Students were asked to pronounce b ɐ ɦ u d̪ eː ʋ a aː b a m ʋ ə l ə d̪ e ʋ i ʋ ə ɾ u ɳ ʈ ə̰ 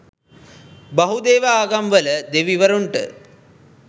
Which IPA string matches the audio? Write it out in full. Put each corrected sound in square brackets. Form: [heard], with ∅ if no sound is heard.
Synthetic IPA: b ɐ ɦ u d̪ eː ʋ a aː [ɡ] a m ʋ ə l ə d̪ e ʋ i ʋ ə ɾ u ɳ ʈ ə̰